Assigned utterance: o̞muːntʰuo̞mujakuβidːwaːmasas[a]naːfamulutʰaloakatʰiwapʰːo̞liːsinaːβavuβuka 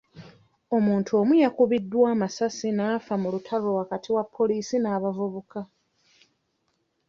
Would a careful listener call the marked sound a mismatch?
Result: yes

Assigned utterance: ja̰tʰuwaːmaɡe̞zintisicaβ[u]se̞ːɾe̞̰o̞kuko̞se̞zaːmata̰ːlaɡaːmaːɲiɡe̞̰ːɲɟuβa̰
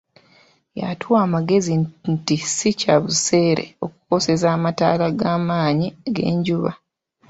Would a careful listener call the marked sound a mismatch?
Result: no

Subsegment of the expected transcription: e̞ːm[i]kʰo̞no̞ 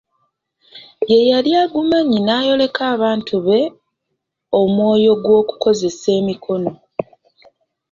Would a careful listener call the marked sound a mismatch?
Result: no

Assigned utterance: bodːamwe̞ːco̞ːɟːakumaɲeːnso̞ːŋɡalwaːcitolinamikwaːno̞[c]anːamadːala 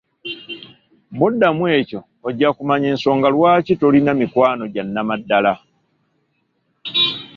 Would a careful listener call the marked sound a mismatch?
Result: yes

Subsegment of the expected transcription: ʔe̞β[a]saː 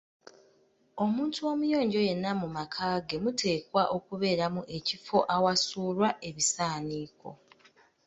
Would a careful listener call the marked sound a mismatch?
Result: yes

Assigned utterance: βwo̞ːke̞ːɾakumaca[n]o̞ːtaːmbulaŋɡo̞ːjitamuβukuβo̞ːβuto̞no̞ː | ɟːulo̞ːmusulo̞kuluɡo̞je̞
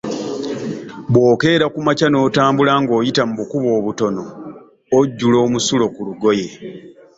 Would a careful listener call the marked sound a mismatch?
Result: no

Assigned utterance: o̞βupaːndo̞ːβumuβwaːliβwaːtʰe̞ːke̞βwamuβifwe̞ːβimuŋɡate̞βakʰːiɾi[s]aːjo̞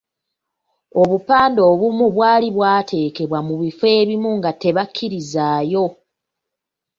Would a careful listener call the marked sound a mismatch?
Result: yes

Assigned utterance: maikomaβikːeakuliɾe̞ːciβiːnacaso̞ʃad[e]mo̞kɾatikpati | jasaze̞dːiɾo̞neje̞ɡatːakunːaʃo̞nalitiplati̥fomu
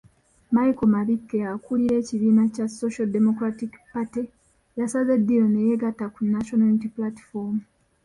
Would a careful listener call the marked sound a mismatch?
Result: no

